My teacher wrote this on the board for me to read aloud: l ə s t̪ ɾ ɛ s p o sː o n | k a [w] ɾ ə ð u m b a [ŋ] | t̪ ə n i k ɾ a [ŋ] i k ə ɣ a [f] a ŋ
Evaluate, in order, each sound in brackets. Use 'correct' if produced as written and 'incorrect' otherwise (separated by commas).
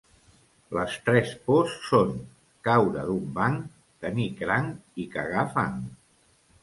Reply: correct, correct, correct, correct